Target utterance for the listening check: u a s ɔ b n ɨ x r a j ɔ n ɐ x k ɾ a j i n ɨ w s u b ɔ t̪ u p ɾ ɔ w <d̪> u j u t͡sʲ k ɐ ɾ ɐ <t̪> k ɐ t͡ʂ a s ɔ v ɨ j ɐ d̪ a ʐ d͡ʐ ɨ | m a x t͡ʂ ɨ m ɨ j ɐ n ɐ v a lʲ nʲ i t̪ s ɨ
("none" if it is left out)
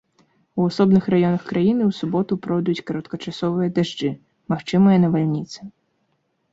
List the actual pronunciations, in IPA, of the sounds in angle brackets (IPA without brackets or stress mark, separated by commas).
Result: d̪, t̪